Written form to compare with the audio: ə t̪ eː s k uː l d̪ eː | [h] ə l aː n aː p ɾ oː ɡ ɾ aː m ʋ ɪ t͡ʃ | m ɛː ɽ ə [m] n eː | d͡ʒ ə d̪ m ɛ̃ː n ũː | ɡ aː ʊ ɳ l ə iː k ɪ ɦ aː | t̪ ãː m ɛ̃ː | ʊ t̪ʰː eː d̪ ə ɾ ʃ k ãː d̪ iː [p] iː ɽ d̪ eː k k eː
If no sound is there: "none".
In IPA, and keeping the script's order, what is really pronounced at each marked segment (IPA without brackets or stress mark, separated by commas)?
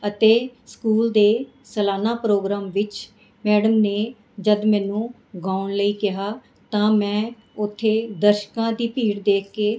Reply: s, m, p